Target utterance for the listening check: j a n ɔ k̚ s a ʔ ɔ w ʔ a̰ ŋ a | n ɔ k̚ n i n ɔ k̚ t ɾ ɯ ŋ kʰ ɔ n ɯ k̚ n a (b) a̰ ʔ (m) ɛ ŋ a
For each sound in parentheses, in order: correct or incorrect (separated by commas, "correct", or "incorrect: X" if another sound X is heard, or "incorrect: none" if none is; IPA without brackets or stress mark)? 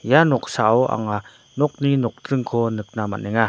incorrect: m, incorrect: n